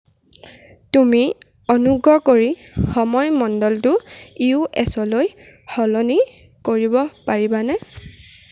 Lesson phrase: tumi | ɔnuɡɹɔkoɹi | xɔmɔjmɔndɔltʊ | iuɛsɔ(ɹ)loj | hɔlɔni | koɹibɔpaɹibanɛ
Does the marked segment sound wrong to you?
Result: yes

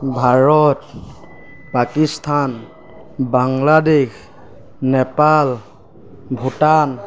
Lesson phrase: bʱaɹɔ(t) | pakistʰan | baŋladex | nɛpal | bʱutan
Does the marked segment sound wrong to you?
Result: no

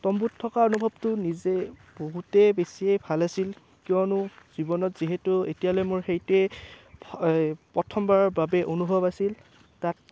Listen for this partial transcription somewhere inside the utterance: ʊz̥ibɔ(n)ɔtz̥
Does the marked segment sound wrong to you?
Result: no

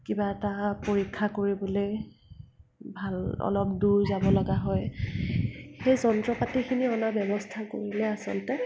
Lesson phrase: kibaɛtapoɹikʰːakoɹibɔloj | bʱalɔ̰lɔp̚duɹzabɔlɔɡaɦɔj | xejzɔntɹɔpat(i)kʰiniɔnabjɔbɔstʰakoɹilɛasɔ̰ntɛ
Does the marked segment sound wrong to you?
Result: no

